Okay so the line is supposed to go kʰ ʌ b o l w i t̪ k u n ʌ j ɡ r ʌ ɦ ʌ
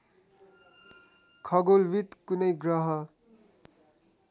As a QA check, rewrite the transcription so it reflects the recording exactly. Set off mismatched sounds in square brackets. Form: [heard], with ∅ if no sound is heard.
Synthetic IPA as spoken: kʰ ʌ [ɡ] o l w i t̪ k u n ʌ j ɡ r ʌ ɦ ʌ